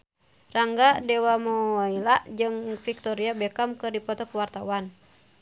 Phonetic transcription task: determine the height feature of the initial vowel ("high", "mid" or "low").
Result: low